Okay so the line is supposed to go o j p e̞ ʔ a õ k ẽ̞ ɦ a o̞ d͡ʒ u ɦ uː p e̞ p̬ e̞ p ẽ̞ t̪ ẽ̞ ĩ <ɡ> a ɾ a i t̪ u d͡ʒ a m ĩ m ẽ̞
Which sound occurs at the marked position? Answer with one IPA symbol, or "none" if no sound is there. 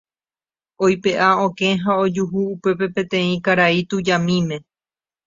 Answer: k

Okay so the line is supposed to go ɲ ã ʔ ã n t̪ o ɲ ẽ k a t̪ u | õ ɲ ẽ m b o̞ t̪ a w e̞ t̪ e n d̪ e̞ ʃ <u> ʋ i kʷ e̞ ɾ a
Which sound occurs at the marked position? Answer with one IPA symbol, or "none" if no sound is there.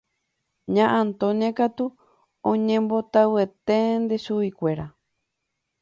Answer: u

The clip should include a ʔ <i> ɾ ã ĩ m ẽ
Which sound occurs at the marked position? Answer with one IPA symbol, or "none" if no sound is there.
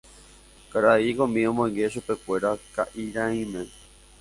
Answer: i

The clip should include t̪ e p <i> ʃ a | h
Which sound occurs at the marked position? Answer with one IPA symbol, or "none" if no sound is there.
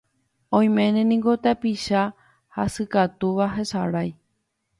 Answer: i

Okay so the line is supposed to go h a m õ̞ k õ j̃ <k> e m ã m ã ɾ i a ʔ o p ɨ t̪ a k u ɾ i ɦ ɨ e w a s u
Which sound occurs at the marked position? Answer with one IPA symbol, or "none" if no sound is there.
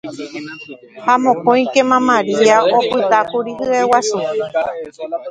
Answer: k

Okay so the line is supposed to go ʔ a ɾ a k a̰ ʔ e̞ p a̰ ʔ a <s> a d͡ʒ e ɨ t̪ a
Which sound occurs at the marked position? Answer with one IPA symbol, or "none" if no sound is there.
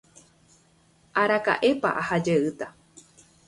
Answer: h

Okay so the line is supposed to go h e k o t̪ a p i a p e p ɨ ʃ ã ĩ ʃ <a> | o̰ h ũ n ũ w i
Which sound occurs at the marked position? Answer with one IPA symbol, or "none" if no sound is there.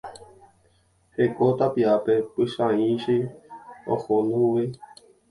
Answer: i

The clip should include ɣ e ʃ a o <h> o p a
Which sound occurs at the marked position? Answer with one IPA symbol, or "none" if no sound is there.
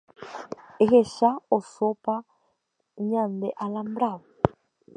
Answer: s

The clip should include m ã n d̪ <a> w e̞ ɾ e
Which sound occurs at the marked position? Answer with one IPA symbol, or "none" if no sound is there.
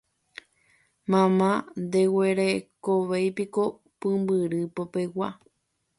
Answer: e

